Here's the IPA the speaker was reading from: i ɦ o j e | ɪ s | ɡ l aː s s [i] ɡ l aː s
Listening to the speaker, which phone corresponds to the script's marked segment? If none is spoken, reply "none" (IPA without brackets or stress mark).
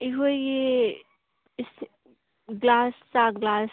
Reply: a